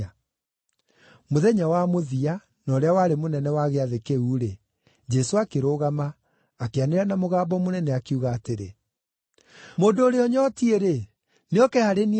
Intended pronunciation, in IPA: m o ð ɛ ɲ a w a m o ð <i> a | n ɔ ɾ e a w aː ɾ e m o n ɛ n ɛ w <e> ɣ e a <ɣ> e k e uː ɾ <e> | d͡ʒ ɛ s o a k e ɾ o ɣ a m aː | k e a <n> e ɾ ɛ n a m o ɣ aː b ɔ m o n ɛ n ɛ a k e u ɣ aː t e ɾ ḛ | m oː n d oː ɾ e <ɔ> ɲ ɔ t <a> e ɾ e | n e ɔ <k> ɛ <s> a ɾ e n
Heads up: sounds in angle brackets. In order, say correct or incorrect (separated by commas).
correct, incorrect, incorrect, correct, correct, correct, incorrect, correct, incorrect